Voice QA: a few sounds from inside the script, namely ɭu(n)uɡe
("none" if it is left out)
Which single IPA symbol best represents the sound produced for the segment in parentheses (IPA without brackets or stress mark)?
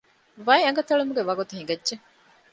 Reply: m